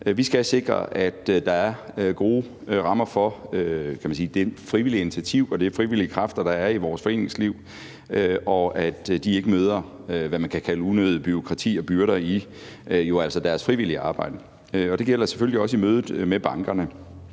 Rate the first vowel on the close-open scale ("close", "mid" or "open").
close